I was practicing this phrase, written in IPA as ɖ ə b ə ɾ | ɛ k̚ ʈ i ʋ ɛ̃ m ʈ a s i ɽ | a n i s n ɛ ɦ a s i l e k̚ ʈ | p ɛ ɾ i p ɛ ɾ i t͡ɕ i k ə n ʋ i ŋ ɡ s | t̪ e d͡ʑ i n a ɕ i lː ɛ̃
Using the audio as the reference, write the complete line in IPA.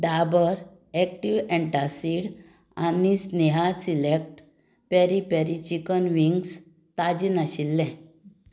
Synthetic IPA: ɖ a b ə ɾ | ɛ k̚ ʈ i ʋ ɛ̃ ɳ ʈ a s i ɽ | a n i s n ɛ ɦ a s i l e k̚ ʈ | p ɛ ɾ i p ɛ ɾ i t͡ɕ i k ə n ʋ i ŋ ɡ s | t̪ a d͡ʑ i n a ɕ i lː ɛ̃